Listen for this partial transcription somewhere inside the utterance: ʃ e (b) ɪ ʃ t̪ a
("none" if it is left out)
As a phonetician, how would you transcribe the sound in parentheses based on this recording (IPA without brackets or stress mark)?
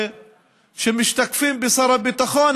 m